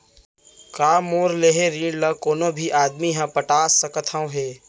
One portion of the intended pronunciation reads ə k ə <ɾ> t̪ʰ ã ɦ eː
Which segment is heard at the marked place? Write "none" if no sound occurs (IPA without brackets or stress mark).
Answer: none